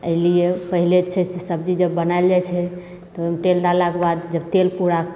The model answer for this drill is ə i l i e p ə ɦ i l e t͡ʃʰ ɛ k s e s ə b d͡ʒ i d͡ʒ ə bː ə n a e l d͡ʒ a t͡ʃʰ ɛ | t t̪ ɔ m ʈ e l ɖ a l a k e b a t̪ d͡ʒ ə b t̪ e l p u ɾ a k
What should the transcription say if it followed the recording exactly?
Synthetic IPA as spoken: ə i l i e p ə ɦ i l e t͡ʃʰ ɛ s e s ə b d͡ʒ i d͡ʒ ə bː ə n a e l d͡ʒ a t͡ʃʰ ɛ | t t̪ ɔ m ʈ e l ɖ a l a k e b a d̪ d͡ʒ ə b t̪ e l p u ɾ a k

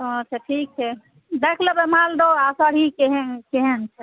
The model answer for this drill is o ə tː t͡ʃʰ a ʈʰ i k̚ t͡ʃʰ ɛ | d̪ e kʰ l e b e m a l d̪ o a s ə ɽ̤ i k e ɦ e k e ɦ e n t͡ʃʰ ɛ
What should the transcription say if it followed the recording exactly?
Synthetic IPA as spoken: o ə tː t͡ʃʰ a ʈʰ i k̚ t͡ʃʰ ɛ | d̪ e kʰ l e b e m a l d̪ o a s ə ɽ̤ i k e ɦ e k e ɦ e n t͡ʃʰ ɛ

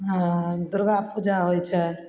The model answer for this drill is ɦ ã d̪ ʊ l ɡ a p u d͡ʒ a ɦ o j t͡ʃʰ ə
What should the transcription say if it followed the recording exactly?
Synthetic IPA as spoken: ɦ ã d̪ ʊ ɾ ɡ a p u d͡ʒ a ɦ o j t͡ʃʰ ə

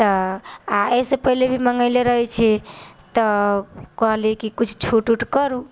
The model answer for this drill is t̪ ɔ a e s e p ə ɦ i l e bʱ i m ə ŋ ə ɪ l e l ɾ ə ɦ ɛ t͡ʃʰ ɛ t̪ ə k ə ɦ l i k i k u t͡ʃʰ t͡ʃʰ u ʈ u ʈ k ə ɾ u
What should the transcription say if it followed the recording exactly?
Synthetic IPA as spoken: t̪ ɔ a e s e p ə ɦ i l e bʱ i m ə ŋ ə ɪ l e ɾ ə ɦ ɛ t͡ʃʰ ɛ t̪ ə k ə ɦ l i k i k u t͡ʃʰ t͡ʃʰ u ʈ u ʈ k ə ɾ u

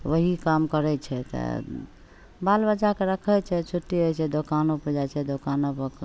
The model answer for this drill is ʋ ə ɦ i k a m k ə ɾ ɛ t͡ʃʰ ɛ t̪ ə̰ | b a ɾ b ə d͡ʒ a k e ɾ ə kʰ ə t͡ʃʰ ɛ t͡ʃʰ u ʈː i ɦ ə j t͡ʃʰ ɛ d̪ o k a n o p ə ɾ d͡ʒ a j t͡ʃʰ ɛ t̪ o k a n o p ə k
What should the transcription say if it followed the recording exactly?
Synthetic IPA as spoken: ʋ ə ɦ i k a m k ə ɾ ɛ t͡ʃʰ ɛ t̪ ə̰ | b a l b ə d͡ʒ a k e ɾ ə kʰ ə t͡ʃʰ ɛ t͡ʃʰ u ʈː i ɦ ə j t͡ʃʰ ɛ d̪ o k a n o p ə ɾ d͡ʒ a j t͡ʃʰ ɛ d̪ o k a n o p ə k

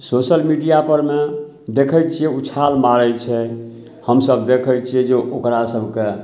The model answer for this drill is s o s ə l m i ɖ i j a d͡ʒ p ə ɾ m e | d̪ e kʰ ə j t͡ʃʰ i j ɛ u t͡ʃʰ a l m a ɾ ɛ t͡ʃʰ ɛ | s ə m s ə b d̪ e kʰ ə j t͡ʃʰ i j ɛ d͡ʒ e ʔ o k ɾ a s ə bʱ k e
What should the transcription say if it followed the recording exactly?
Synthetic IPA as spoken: s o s ə l m i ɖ i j a p ə ɾ m e | d̪ e kʰ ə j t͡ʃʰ i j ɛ u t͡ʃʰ a l m a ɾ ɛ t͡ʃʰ ɛ | h ə m s ə b d̪ e kʰ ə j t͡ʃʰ i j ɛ d͡ʒ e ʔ o k ɾ a s ə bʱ k e

